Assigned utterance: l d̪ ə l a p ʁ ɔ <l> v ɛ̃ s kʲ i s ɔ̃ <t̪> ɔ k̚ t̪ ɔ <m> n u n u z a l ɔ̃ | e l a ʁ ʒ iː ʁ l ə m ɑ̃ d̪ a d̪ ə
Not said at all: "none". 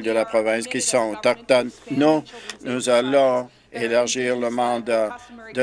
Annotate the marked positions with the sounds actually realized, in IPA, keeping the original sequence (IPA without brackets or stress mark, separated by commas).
none, t̪, n